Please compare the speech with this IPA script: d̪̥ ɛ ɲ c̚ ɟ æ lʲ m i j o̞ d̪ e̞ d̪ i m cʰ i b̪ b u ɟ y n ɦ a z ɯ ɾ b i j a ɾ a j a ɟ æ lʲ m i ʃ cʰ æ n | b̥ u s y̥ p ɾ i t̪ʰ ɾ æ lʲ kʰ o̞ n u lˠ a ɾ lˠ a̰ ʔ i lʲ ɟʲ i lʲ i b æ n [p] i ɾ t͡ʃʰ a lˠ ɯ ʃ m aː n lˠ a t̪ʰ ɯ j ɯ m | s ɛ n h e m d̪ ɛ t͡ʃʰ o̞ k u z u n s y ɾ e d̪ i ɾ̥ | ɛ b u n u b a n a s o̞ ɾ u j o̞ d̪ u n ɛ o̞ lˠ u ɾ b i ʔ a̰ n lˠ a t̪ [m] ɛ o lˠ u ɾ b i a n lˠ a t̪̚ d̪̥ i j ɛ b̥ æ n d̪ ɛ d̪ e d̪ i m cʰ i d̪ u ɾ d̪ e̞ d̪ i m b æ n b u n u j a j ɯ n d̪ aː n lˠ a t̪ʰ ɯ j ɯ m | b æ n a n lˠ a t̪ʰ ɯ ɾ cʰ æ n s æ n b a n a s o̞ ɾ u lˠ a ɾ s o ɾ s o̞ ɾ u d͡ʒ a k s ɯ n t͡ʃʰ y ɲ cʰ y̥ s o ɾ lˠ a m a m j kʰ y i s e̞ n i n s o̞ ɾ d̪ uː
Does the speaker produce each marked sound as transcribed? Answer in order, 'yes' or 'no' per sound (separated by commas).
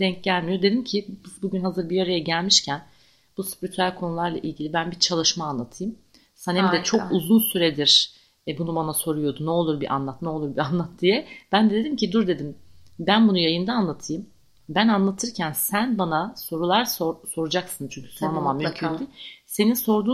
no, no